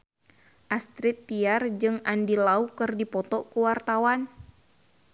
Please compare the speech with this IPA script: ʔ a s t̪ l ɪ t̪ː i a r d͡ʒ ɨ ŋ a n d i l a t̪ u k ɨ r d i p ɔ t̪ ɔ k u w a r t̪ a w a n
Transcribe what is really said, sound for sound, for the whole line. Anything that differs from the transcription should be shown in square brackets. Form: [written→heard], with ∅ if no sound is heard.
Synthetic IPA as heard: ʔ a s t̪ [l→ɾ] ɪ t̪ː i a r d͡ʒ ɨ ŋ a n d i l a [t̪→∅] u k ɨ r d i p ɔ t̪ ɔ k u w a r t̪ a w a n